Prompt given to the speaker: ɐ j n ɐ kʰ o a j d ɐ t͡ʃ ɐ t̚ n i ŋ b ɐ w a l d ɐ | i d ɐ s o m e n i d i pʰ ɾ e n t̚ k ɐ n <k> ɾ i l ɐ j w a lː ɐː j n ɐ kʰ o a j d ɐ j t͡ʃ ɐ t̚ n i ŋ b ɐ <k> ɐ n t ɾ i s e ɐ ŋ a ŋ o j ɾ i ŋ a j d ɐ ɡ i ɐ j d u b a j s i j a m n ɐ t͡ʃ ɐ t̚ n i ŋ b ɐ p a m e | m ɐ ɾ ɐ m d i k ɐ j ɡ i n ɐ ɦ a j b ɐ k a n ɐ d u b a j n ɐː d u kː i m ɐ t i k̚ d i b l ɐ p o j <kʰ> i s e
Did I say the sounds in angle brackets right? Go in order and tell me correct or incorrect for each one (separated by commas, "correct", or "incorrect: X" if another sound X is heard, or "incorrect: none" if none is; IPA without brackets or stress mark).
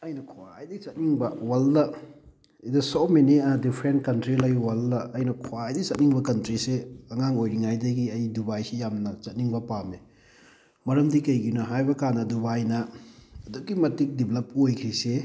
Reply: incorrect: t, correct, correct